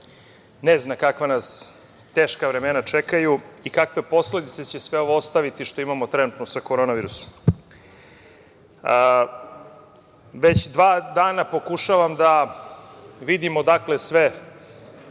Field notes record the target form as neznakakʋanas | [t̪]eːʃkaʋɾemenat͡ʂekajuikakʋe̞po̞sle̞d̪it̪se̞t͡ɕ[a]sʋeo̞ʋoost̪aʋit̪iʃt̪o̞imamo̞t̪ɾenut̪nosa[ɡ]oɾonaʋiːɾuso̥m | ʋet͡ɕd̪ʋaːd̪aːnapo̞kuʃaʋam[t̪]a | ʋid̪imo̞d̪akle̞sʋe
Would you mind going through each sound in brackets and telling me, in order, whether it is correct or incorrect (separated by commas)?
correct, incorrect, incorrect, incorrect